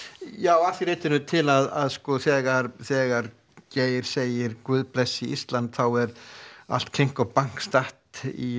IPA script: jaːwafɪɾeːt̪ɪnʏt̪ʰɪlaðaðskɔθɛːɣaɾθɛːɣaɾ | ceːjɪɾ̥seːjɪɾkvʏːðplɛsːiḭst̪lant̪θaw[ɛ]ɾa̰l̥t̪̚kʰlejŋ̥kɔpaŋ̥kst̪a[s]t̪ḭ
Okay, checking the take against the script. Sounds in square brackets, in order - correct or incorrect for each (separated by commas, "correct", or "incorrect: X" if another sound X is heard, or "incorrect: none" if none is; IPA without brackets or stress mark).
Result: correct, incorrect: h